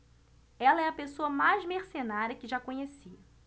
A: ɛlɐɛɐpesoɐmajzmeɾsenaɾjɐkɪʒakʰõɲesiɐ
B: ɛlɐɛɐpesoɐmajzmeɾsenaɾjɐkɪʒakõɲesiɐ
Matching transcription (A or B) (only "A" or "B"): B